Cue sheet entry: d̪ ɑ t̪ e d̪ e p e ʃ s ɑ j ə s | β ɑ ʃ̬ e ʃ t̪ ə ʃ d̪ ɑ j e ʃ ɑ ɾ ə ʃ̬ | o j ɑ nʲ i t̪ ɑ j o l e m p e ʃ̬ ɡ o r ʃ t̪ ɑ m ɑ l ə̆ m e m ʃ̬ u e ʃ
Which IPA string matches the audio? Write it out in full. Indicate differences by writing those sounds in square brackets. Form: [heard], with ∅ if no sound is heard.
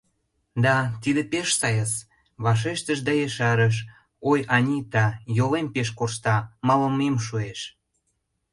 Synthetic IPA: d̪ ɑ t̪ [i] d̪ e p e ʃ s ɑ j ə s | β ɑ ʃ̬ e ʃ t̪ ə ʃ d̪ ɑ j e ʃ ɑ ɾ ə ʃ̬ | o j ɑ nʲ i t̪ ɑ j o l e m p e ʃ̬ [k] o r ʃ t̪ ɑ m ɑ l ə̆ m e m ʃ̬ u e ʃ